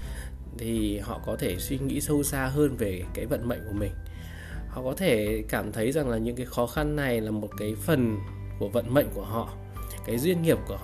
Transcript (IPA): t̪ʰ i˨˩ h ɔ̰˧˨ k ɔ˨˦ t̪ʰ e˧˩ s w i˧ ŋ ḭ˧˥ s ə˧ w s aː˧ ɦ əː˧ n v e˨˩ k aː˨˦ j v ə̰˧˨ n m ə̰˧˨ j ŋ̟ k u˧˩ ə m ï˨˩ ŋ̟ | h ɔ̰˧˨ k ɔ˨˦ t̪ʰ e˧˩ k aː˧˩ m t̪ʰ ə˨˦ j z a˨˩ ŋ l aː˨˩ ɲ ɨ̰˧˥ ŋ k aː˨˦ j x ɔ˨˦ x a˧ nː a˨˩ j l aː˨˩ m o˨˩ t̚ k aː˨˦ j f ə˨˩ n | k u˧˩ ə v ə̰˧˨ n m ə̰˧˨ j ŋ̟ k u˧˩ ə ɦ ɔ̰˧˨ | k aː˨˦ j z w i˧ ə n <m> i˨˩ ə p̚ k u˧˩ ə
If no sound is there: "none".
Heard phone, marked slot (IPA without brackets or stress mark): ŋ